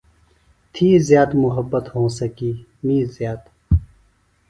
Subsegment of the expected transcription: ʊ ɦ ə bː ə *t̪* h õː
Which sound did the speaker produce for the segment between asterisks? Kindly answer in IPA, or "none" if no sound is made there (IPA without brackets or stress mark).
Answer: t̪